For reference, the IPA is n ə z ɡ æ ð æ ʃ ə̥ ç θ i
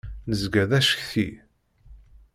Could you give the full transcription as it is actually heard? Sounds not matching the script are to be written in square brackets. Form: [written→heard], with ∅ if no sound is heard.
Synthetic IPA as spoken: n ə z ɡ æ ð æ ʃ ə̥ ç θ i